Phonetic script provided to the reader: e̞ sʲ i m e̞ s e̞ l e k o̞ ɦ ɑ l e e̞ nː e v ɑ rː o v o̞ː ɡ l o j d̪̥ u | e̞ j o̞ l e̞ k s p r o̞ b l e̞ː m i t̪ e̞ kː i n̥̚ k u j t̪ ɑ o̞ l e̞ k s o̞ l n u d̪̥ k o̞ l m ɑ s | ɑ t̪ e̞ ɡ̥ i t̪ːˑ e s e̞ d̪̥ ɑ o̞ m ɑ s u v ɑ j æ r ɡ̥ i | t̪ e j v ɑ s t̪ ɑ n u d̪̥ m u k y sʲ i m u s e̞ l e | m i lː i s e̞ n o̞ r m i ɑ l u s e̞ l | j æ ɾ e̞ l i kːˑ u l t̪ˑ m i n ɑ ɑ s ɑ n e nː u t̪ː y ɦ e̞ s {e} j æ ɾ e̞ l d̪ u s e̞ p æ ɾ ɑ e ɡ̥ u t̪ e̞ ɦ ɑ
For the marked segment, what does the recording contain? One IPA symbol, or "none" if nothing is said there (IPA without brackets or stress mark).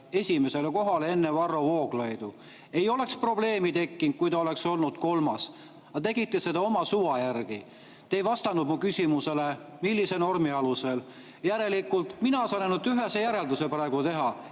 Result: e